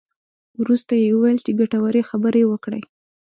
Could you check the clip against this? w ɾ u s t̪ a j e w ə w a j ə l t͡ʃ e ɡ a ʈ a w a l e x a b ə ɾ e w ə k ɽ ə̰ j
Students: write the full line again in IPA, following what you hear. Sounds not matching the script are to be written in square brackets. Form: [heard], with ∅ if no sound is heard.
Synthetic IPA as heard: w ɾ u s t̪ a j e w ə w a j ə l t͡ʃ e ɡ a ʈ a w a [ɾ] e x a b ə ɾ e w ə k ɽ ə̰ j

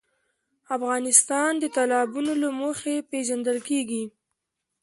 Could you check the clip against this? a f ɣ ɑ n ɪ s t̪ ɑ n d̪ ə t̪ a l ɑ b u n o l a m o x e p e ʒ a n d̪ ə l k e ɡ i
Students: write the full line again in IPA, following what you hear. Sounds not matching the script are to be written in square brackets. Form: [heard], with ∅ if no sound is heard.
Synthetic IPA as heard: a f ɣ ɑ n ɪ s t̪ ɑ n d̪ ə t̪ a l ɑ b u n o l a m o x e p e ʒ a n d̪ ə l k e ɡ i

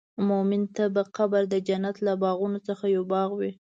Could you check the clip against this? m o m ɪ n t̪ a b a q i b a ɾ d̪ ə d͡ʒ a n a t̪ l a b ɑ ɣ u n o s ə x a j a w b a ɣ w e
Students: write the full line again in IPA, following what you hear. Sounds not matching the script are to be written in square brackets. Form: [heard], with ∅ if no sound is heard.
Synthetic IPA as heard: m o m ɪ n t̪ a b a q [a] b a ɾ d̪ ə d͡ʒ a n a t̪ l a b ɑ ɣ u n o [t͡s] ə x a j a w b [ɑ] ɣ w [i]

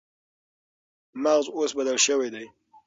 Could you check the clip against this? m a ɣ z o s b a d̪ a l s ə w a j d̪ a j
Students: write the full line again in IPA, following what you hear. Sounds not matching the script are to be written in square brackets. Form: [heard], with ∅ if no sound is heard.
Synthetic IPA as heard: m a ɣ z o s b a d̪ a l [ʃ] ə w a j d̪ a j

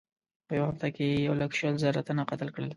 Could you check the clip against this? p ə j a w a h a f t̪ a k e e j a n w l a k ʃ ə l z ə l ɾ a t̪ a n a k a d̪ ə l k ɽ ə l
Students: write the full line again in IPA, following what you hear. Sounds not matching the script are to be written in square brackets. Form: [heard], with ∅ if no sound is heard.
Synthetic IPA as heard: p ə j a w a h a f t̪ a k e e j a [∅] w l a k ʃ ə l z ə [∅] ɾ a t̪ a n a [q] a [t̪] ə l k ɽ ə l

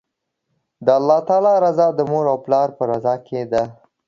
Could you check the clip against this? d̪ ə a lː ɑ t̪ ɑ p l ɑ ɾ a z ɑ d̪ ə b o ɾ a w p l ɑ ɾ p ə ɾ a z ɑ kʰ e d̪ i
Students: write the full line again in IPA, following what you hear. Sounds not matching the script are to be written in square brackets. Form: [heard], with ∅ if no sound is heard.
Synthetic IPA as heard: d̪ ə a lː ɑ t̪ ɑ [∅] l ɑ ɾ a z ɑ d̪ ə [m] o ɾ a w p l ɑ ɾ p ə ɾ a z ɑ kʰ e d̪ [a]

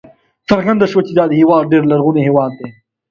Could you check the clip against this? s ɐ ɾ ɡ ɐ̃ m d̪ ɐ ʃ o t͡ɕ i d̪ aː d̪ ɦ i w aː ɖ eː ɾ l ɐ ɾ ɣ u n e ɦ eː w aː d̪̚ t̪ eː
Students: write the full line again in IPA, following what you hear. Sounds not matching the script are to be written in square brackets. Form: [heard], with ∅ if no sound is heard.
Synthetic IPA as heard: s ɐ ɾ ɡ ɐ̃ [n] d̪ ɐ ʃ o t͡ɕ i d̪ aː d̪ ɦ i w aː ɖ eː ɾ l ɐ ɾ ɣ u n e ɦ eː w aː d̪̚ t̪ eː

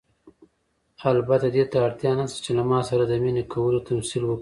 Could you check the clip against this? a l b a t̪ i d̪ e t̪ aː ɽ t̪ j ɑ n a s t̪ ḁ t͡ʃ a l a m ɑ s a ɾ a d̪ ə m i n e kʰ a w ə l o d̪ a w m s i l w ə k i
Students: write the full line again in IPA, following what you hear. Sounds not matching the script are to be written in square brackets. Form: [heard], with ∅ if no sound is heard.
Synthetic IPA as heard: a l b a t̪ [a] d̪ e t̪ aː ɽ t̪ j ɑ n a s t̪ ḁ t͡ʃ [e] l a m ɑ s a ɾ a d̪ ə m i n e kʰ a w ə l o [t̪] a [∅] m s i l w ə k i

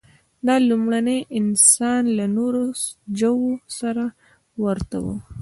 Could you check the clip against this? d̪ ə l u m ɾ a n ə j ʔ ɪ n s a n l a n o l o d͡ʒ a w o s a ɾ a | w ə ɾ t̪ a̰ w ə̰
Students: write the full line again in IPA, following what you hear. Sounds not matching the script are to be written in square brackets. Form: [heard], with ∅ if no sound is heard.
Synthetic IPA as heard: d̪ [ɑ] l u m [ɽ] a n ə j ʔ ɪ n s [ɑ] n l a n o [ɾ] o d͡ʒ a w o s a ɾ a | w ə ɾ t̪ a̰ w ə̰

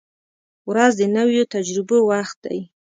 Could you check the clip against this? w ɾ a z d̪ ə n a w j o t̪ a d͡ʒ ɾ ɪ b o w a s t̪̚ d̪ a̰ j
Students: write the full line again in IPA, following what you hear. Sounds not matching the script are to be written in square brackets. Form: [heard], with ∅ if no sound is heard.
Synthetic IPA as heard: w ɾ a z d̪ ə n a w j o t̪ a d͡ʒ ɾ ɪ b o w a [x] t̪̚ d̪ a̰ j

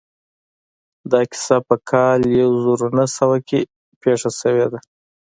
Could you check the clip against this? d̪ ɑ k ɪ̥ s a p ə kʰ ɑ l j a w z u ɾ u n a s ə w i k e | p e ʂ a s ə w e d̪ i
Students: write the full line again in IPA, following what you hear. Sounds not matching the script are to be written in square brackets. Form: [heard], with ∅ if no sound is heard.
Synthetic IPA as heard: d̪ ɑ k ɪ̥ s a p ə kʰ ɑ l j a w z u ɾ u n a s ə w [a] k e | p e ʂ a s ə w e d̪ [a]

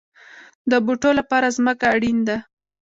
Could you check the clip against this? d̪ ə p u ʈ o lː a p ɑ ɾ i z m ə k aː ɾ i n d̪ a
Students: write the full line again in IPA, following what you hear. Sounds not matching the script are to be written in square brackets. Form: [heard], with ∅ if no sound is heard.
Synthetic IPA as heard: d̪ ə [b] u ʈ o [l] a p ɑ ɾ [a] z m ə k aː [ɽ] i n d̪ a

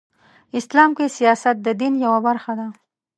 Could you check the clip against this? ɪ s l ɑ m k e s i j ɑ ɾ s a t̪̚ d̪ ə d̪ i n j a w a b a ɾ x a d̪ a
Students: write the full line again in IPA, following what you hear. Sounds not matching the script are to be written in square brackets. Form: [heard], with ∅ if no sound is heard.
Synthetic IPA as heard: ɪ s l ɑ m k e s i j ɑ [∅] s a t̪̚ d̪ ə d̪ i n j a w a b a ɾ x a d̪ a

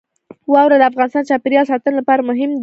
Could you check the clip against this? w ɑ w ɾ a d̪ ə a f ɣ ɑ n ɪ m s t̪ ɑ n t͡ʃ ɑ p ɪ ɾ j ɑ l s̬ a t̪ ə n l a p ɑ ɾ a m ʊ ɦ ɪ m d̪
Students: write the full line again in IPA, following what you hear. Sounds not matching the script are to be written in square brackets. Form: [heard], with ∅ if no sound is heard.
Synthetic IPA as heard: w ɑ w ɾ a d̪ ə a f ɣ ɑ n ɪ [∅] s t̪ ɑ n t͡ʃ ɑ p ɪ ɾ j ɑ l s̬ [ɑ] t̪ ə n l a p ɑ ɾ a m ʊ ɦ ɪ m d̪

